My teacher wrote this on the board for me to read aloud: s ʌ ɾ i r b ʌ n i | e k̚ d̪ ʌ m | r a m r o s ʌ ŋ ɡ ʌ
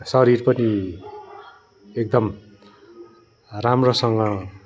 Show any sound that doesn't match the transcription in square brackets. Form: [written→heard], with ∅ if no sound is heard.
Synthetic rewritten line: s ʌ ɾ i r [b→p] ʌ n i | e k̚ d̪ ʌ m | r a m r o s ʌ ŋ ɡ ʌ